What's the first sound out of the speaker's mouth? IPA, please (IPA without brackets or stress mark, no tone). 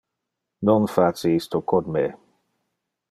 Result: n